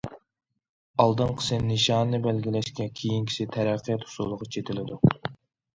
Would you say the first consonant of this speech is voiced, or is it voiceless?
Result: voiced